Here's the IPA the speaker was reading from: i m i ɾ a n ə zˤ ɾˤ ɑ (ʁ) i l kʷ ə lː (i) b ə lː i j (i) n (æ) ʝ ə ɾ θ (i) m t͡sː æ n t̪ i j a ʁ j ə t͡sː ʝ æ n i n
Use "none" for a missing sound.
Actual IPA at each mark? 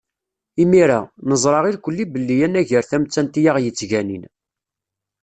ʁ, i, æ, æ, æ

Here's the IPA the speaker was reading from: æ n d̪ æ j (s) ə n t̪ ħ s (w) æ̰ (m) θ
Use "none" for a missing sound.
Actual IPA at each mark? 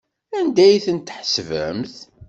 θ, v, m

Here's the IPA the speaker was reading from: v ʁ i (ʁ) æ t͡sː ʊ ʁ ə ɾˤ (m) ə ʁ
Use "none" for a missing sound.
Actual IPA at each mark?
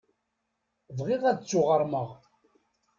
ʁ, m

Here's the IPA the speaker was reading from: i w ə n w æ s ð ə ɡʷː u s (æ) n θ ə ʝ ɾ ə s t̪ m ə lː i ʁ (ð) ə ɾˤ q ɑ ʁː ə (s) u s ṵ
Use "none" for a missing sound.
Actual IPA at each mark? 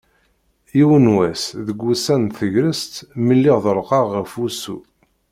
æ, ð, f

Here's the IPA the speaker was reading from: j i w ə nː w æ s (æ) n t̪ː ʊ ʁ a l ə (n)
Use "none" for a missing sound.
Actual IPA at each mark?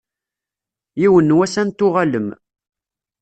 æ, m

